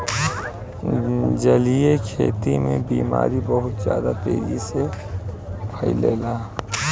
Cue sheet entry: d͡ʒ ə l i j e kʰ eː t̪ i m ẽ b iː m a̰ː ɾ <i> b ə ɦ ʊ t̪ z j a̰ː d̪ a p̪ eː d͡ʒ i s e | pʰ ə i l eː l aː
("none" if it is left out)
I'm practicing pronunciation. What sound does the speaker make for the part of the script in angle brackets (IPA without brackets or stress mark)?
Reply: i